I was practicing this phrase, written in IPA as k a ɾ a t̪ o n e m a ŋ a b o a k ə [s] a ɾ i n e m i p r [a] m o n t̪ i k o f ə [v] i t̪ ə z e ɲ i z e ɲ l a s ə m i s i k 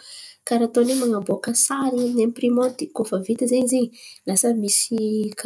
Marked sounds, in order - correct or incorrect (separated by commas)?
correct, incorrect, correct